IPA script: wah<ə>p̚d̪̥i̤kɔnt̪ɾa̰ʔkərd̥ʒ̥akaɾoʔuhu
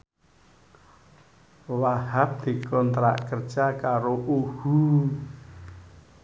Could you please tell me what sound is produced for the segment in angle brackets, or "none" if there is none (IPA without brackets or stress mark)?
a